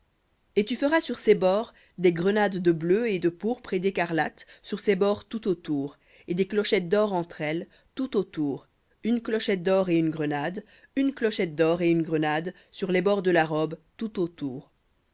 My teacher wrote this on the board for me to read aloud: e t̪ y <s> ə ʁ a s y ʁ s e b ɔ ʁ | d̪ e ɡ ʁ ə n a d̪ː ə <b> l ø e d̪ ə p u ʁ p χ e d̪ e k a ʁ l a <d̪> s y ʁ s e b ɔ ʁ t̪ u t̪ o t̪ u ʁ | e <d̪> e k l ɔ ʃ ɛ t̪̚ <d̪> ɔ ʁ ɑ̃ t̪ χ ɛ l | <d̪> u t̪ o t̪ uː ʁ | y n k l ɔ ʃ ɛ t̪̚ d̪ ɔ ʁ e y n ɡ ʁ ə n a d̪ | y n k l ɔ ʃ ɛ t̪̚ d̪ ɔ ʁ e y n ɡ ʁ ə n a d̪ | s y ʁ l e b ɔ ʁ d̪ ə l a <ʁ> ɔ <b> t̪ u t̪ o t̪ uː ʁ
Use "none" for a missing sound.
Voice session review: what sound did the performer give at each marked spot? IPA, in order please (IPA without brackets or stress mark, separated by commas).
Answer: f, b, t̪, d̪, d̪, t̪, ʁ, b